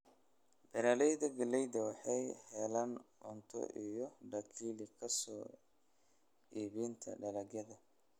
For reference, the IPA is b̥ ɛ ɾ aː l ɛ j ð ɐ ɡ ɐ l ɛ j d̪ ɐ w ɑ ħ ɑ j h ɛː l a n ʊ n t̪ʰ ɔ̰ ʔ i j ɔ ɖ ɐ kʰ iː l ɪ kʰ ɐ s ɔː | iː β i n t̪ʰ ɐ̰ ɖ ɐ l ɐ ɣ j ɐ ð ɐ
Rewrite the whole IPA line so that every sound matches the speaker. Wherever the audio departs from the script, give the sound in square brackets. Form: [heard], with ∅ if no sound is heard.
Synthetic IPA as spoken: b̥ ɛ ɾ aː l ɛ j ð ɐ ɡ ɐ l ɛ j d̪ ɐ w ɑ ħ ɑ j h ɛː l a n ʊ n t̪ʰ ɔ̰ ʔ i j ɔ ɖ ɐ kʰ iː l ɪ kʰ ɐ s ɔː | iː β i n t̪ʰ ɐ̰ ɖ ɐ l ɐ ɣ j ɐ ð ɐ